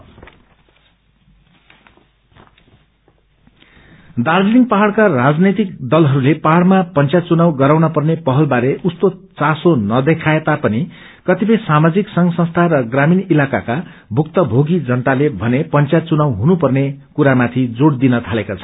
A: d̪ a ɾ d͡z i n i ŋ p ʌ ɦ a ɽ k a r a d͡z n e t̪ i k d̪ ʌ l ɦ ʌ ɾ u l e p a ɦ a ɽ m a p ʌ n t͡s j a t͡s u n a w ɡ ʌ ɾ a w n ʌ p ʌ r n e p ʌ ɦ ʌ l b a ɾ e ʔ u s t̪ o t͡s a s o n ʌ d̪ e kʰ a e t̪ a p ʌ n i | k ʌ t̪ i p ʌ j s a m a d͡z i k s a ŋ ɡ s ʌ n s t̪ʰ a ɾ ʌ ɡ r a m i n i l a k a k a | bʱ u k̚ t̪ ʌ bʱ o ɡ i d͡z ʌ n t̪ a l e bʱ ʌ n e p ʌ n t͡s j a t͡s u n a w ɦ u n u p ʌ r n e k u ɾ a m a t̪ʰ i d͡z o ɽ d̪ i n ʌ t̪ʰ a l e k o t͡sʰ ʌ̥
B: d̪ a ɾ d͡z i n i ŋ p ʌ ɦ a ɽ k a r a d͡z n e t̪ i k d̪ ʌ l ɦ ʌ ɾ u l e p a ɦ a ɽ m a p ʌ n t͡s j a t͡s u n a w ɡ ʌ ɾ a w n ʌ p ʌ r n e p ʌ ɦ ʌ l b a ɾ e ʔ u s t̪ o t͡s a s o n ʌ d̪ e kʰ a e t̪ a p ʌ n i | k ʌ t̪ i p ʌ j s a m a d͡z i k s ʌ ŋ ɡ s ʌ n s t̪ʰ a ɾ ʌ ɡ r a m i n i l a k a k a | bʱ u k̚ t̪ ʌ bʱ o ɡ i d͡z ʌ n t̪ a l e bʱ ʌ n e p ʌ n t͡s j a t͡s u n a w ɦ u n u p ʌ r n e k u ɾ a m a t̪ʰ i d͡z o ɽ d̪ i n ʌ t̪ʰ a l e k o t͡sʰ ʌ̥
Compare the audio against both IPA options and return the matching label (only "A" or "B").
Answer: B